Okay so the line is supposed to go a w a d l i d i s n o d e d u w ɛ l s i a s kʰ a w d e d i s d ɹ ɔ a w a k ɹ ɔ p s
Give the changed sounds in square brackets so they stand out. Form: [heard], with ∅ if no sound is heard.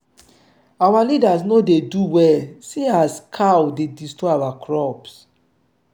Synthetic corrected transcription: a w a [∅] l i d [a] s n o d e d u w ɛ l s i a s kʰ a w d e d i s [t] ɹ ɔ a w a k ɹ ɔ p s